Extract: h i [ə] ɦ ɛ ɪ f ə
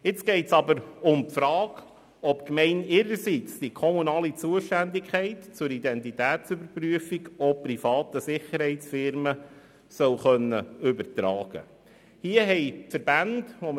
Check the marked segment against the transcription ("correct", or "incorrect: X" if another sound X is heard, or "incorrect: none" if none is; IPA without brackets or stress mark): correct